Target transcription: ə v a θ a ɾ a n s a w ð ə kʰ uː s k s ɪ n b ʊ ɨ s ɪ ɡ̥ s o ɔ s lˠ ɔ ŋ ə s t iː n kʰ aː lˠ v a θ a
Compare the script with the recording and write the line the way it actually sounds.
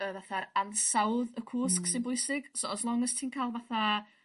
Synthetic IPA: ə v a θ a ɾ a n s a w ð ə kʰ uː s k s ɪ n b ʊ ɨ s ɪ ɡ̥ s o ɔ s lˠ ɔ ŋ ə s tʰ iː n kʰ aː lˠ v a θ a

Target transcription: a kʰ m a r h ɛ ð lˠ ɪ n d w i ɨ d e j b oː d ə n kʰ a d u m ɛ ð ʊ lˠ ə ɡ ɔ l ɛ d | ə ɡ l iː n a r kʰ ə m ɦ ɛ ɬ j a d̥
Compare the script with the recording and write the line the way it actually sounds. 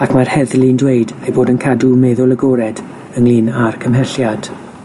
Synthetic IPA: a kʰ m a r h ɛ ð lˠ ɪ n d w e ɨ d e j b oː d ə n kʰ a d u m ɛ ð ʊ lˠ ə ɡ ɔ ɾ ɛ d | ə ŋ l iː n a r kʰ ə m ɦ ɛ ɬ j a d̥

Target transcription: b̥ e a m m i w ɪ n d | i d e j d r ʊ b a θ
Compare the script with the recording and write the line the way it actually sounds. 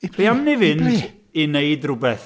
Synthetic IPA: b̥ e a m n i v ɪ n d | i n e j d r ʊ b ɛ θ

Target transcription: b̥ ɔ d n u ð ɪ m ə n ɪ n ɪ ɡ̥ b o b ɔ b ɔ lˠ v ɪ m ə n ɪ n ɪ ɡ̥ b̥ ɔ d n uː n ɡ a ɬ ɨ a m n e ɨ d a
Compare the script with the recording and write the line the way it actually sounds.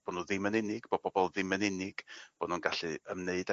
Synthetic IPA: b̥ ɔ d n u ð ɪ m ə n ɪ n ɪ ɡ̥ b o b ɔ b ɔ lˠ ð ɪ m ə n ɪ n ɪ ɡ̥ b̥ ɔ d n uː n ɡ a ɬ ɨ ə m n e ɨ d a

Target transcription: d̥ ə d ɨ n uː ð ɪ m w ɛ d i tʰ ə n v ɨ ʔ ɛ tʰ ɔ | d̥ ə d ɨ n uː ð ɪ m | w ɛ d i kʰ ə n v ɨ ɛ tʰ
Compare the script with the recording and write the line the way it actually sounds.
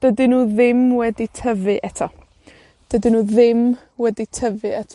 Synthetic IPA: d̥ ə d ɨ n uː ð ɪ m w ɛ d i tʰ ə v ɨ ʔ ɛ tʰ ɔ | d̥ ə d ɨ n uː ð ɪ m | w ɛ d i tʰ ə v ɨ ɛ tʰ

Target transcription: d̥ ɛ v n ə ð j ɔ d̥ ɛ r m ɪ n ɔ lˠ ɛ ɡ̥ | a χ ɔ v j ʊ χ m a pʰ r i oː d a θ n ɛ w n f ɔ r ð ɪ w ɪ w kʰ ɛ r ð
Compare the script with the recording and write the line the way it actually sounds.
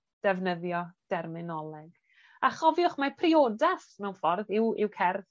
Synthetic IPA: d̥ ɛ v n ə ð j ɔ d̥ ɛ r m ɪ n ɔ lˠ ɛ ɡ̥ | a χ ɔ v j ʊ χ m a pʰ r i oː d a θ m ɛ w n f ɔ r ð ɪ w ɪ w kʰ ɛ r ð

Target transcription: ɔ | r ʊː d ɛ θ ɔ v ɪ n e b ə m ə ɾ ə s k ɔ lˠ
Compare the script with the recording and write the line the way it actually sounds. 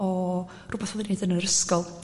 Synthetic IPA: ɔ | r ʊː b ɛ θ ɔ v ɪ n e d ə n ə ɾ ə s k ɔ lˠ

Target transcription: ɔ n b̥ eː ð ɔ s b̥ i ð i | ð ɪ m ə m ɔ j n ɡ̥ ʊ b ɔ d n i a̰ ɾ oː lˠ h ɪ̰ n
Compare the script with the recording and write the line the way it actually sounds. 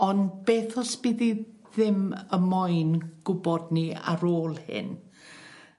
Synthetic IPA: ɔ n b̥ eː θ ɔ s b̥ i ð i | ð ɪ m ə m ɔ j n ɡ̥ ʊ b ɔ d n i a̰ ɾ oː lˠ h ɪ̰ n

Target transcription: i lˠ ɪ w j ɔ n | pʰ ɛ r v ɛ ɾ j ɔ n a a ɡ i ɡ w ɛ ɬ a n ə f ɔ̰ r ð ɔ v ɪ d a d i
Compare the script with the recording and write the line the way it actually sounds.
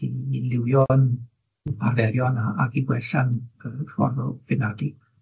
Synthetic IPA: i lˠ ɪ w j ɔ n | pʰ a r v ɛ ɾ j ɔ n a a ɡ i ɡ w ɛ ɬ a n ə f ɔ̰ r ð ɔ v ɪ n a d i

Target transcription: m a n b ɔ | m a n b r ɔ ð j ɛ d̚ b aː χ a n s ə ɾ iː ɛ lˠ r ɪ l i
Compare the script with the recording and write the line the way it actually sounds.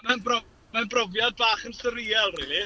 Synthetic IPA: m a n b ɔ | m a n b r ɔ v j a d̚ b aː χ ə n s ə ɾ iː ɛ lˠ r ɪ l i

